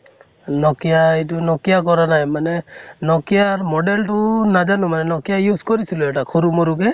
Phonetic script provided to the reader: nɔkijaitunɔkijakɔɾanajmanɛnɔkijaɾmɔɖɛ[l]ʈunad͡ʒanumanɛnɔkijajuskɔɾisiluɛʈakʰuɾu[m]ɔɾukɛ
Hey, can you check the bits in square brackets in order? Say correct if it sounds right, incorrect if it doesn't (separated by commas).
correct, correct